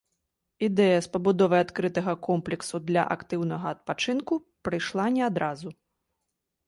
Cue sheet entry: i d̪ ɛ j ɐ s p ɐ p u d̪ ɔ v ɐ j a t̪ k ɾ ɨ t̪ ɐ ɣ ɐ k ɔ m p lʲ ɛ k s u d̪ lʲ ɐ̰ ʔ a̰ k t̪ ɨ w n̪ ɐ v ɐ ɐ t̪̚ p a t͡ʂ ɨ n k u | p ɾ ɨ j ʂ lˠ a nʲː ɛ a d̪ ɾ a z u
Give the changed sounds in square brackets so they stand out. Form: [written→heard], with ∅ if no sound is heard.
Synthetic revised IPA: i d̪ ɛ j ɐ s p ɐ [p→b] u d̪ ɔ v ɐ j a t̪ k ɾ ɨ t̪ ɐ ɣ ɐ k ɔ m p lʲ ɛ k s u d̪ lʲ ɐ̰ ʔ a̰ k t̪ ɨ w n̪ ɐ [v→ɣ] ɐ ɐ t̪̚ p a t͡ʂ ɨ n k u | p ɾ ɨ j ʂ lˠ a [nʲː→nʲ] ɛ a d̪ ɾ a z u

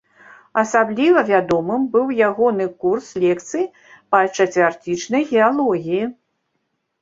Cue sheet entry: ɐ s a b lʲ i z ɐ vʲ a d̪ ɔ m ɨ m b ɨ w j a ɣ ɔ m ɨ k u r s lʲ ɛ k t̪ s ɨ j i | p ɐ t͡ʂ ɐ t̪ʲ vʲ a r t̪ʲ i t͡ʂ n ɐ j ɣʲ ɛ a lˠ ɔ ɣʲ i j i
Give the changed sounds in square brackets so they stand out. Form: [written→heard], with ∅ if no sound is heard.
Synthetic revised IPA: ɐ s a b lʲ i [z→v] ɐ vʲ a d̪ ɔ m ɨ m b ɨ w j a ɣ ɔ [m→n] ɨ k u r s lʲ ɛ k t̪ s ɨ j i | p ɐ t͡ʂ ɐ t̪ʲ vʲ a r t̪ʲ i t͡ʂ n ɐ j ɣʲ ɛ a lˠ ɔ ɣʲ i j i

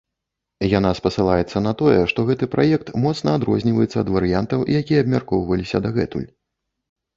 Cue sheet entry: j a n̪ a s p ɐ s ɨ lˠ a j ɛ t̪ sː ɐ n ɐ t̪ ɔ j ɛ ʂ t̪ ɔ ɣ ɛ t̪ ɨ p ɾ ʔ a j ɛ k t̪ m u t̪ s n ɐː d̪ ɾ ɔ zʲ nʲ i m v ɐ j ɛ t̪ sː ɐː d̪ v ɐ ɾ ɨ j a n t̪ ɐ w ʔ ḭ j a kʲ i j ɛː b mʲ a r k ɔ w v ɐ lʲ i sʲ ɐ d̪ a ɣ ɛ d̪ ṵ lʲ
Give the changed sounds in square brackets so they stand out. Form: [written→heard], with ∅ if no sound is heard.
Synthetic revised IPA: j a n̪ a s p ɐ s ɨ lˠ a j ɛ t̪ sː ɐ n ɐ t̪ ɔ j ɛ ʂ t̪ ɔ ɣ ɛ t̪ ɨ p ɾ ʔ a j ɛ k t̪ m [u→ɔ] t̪ s n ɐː d̪ ɾ ɔ zʲ nʲ i [m→∅] v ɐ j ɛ t̪ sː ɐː d̪ v ɐ ɾ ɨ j a n t̪ ɐ w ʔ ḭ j a kʲ i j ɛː b mʲ a r k ɔ w v ɐ lʲ i sʲ ɐ d̪ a ɣ ɛ [d̪→t̪] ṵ lʲ

